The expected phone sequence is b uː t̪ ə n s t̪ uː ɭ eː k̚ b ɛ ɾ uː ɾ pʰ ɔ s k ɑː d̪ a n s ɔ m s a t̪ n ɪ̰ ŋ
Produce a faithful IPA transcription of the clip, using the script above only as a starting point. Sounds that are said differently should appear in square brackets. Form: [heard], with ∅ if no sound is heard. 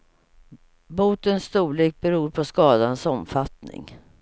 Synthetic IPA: b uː t̪ ə n s t̪ uː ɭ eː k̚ b ɛ ɾ uː ɾ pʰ ɔ s k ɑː d̪ a n s ɔ m [f] a t̪ n ɪ̰ ŋ